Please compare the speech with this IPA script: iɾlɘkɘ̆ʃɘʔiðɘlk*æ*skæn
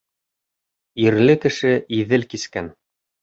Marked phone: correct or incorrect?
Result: incorrect: i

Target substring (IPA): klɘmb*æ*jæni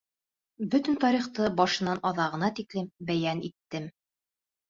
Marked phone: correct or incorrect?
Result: correct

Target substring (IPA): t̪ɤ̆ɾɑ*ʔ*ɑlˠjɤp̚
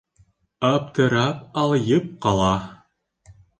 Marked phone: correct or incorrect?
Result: incorrect: p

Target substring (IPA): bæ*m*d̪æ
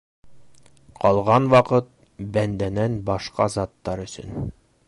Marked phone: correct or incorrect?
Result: incorrect: n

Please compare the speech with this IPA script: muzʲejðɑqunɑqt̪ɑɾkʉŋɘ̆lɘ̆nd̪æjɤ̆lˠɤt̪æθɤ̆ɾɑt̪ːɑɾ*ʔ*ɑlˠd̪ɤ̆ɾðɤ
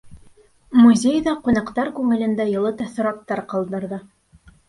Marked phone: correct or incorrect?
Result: incorrect: q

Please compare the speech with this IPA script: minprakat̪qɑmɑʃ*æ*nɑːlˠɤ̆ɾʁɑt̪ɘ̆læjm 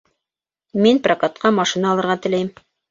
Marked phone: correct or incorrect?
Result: incorrect: i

